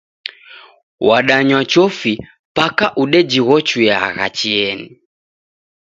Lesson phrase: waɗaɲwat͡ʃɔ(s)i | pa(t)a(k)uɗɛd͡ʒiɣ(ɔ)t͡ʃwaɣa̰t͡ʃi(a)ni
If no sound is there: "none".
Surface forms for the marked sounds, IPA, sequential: f, k, ʔ, ɔ, ɛ

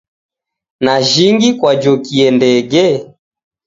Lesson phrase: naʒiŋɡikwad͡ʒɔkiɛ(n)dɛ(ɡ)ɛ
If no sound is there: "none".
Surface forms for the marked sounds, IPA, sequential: n, ɡ

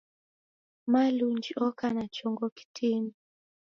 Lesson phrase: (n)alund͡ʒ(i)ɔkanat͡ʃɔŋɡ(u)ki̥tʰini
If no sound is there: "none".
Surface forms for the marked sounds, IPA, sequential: m, i, ɔ

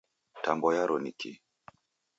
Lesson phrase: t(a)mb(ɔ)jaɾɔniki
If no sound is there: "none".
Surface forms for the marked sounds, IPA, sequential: a, ɔ

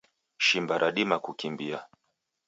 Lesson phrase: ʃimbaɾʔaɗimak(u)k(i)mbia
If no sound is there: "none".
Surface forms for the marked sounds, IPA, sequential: u, i

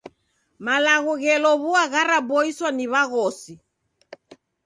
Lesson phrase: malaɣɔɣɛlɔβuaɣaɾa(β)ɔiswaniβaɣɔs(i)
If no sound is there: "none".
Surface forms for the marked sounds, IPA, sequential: b, i

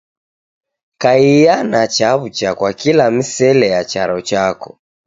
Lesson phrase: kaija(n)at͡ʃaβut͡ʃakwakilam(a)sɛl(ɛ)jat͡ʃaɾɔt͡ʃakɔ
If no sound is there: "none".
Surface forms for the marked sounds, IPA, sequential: n, i, ɛ

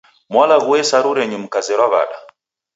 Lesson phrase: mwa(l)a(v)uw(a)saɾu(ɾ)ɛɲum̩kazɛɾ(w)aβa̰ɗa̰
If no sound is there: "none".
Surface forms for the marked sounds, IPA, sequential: l, ɣ, ɛ, ɾ, w

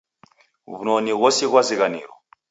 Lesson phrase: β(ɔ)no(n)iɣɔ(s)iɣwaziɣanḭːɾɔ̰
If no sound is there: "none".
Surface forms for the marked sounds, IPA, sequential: u, n, s

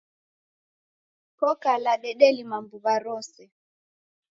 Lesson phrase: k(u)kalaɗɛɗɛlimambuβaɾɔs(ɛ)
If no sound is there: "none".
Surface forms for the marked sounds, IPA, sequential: ɔ, ɛ

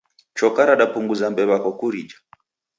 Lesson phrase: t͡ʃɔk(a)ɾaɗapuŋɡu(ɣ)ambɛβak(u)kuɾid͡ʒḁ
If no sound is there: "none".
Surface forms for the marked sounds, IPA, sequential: a, z, ɔ

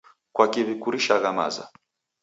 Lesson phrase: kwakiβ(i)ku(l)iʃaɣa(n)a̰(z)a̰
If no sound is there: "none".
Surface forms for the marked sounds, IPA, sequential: i, ɾ, m, z

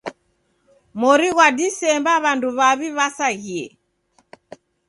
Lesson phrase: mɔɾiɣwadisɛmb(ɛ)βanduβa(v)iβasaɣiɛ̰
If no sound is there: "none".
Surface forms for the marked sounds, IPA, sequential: a, β

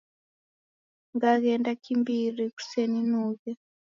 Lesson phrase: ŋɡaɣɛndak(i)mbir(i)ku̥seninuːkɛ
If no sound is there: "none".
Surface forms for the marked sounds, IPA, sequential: i, i

